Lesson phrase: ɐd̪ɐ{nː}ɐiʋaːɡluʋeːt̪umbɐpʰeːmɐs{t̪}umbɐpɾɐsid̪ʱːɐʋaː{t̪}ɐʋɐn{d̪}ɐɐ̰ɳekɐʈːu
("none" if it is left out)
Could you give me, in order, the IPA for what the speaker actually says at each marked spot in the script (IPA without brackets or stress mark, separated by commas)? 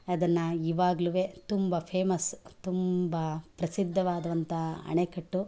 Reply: nː, t̪, d̪, t̪